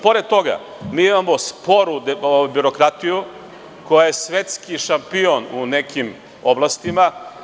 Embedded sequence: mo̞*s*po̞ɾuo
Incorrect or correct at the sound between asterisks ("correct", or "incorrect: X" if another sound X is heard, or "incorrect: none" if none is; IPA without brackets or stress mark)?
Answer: correct